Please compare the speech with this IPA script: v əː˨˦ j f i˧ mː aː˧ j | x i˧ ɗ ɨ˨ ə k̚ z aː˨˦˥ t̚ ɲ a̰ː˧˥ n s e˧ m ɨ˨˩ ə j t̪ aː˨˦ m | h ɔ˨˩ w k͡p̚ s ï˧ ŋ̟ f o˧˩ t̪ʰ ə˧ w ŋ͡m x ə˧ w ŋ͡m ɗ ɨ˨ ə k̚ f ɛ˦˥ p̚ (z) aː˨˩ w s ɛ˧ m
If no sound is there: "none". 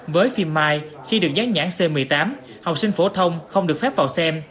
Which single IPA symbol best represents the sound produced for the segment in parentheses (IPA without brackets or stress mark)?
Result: v